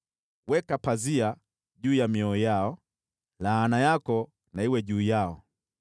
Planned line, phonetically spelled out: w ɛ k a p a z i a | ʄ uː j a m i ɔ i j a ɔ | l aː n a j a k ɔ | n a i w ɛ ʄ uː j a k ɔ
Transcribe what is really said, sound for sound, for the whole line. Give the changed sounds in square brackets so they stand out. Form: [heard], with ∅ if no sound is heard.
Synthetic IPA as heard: w ɛ k a p a z i a | ʄ uː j a m i ɔ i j a ɔ | l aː n a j a k ɔ | n a i w ɛ ʄ uː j a [∅] ɔ